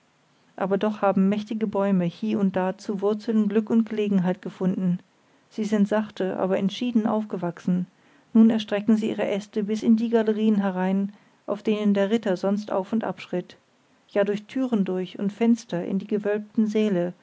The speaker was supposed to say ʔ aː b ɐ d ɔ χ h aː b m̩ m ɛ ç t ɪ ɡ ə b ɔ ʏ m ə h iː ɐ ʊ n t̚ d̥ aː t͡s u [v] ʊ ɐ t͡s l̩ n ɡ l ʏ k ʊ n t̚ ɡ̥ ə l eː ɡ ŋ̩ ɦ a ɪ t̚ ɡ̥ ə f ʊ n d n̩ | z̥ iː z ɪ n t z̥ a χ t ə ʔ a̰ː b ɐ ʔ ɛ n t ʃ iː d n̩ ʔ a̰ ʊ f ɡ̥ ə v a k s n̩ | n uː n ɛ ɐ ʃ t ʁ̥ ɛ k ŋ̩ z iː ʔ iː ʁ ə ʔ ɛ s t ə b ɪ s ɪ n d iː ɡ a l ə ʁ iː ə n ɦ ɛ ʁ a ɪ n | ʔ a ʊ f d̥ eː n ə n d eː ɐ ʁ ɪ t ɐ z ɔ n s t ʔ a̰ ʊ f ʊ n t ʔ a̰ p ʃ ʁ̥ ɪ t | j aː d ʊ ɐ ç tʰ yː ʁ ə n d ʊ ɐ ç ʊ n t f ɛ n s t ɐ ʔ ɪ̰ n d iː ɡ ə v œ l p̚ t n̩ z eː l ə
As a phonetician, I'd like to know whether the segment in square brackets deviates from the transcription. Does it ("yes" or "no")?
no